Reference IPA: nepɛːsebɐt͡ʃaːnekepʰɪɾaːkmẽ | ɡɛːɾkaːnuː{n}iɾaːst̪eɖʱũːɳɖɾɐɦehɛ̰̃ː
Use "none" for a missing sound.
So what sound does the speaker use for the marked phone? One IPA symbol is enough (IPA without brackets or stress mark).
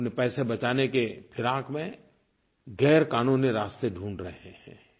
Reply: n